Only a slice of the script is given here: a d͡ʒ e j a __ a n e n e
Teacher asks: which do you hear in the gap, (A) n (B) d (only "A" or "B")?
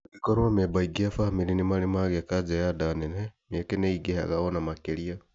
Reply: B